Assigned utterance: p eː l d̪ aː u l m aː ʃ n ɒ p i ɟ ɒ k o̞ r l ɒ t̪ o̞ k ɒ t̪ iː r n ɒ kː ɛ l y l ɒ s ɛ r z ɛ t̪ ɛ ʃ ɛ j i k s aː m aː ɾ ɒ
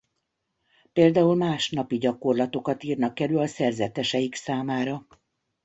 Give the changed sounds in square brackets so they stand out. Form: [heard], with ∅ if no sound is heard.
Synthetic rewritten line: p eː l d̪ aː u l m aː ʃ n ɒ p i ɟ ɒ k o̞ r l ɒ t̪ o̞ k ɒ t̪ iː r n ɒ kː ɛ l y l ɒ s ɛ r z ɛ t̪ ɛ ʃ ɛ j i k s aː m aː ɾ ɒ